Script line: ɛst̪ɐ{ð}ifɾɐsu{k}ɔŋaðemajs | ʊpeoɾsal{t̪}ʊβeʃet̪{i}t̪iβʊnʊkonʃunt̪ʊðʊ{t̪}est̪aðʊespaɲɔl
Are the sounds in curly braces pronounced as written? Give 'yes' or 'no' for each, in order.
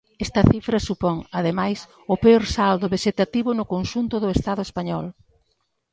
no, no, no, no, no

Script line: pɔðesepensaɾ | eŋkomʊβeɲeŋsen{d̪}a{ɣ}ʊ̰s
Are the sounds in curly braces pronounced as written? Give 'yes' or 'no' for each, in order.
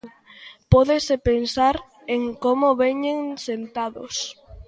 no, no

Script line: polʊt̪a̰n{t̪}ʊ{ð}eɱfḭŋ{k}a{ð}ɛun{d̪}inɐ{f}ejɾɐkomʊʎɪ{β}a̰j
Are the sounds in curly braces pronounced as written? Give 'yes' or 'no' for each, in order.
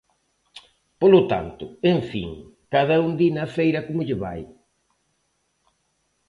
yes, no, yes, yes, yes, yes, yes

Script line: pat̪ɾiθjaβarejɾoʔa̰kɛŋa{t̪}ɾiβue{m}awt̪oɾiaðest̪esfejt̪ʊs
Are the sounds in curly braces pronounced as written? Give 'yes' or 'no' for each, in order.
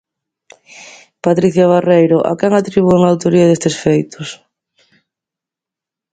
yes, no

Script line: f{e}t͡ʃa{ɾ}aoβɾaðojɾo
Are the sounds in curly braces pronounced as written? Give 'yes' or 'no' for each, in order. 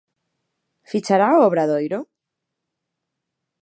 no, yes

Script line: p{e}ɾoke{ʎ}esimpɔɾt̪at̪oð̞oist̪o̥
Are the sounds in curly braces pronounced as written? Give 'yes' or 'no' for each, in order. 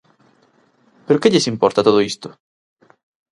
yes, yes

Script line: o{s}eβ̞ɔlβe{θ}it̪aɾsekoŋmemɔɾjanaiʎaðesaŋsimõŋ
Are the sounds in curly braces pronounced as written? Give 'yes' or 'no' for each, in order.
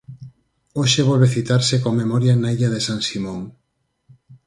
no, yes

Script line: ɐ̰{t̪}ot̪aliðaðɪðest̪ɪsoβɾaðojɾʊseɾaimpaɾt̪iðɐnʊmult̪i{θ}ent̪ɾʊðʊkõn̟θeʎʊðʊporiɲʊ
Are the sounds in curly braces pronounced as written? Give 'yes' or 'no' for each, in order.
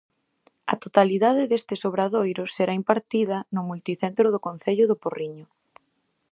yes, yes

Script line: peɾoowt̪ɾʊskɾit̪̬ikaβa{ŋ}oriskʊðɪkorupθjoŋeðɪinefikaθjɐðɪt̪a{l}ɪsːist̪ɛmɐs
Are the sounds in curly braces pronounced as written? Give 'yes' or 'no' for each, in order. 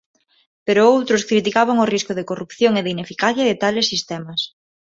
yes, yes

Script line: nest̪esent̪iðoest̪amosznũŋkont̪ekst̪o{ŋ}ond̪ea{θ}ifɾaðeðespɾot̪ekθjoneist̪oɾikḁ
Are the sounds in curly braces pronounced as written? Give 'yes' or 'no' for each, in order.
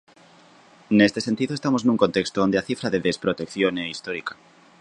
no, yes

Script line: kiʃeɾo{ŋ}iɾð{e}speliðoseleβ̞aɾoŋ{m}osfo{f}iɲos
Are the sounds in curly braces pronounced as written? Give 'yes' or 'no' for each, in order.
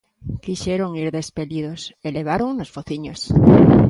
yes, yes, no, no

